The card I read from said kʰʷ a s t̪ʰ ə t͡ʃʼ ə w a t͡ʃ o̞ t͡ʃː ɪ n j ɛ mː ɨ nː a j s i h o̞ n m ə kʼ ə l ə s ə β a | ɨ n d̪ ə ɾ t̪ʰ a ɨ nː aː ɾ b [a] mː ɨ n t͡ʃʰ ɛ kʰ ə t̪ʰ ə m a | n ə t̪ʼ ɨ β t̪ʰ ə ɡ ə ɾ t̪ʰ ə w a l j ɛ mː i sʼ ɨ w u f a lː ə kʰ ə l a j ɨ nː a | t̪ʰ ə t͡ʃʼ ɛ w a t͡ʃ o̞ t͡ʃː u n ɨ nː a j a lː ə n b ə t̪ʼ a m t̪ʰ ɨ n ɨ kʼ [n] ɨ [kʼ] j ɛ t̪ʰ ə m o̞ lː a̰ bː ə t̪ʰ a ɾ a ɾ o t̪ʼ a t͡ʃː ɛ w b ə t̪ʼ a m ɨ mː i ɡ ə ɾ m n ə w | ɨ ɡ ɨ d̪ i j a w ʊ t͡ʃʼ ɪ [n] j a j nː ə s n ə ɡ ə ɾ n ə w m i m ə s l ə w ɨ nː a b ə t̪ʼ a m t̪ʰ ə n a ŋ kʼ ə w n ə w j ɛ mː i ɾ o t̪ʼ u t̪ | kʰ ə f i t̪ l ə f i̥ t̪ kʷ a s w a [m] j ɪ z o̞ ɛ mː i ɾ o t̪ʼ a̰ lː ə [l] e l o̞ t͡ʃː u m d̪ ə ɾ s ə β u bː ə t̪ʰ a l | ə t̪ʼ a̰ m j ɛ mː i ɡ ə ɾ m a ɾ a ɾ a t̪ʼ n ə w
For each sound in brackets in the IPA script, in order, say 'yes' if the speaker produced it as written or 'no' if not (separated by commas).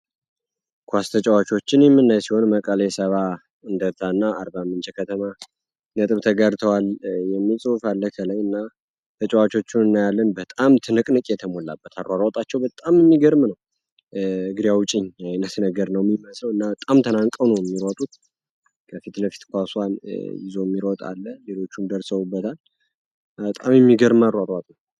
yes, yes, yes, no, no, yes